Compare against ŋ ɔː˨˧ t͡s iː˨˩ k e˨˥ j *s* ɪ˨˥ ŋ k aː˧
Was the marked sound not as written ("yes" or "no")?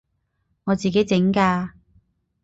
yes